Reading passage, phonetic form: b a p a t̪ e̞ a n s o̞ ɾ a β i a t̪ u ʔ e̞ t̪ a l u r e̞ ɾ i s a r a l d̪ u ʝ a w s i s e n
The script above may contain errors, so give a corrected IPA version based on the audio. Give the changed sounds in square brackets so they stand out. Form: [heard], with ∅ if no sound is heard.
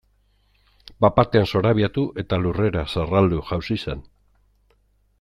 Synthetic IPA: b a p a t̪ e̞ a n s o̞ ɾ a β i a t̪ u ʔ e̞ t̪ a l u r e̞ ɾ [a] s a r a l d̪ u ʝ a w s i s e n